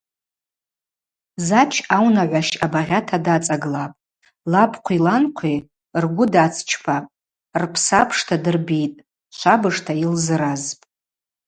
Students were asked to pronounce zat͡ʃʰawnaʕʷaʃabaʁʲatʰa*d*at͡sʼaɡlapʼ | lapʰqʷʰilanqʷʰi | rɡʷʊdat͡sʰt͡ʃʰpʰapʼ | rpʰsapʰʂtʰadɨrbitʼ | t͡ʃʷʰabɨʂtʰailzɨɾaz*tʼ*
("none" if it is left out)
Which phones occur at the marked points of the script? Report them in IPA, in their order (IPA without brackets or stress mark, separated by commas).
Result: d, pʼ